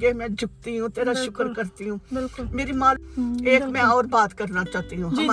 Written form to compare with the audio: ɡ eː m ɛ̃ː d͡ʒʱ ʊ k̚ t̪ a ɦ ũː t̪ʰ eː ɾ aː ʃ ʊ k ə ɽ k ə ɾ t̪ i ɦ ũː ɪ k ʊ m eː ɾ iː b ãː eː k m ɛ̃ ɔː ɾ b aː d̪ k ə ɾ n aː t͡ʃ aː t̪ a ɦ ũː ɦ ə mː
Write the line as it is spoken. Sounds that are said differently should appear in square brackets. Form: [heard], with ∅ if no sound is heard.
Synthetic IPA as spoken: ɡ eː m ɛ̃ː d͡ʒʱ ʊ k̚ t̪ [i] ɦ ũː [t̪] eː ɾ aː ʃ ʊ k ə [ɾ] k ə ɾ t̪ i ɦ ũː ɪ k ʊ m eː ɾ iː [m] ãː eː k m ɛ̃ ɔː ɾ b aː [t̪] k ə ɾ n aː t͡ʃ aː t̪ [i] ɦ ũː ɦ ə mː